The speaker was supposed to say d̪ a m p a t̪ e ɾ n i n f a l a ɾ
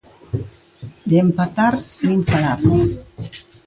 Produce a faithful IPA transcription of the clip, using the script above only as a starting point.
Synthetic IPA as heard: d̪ e m p a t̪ a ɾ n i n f a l a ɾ